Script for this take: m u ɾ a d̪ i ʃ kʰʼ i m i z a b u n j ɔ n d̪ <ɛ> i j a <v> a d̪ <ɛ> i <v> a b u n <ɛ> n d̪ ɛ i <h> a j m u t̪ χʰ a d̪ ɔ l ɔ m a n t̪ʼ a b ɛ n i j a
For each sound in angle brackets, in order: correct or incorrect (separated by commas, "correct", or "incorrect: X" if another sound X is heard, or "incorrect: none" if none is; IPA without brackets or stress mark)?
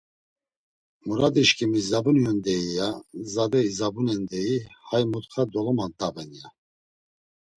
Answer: correct, incorrect: z, correct, incorrect: z, correct, correct